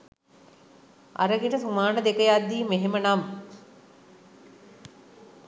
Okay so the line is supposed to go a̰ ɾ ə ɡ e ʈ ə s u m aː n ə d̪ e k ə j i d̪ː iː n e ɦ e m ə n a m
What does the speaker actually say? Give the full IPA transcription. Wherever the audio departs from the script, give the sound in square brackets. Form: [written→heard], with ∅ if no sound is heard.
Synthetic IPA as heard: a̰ ɾ ə ɡ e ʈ ə s u m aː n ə d̪ e k ə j [i→a] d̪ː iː [n→m] e ɦ e m ə n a m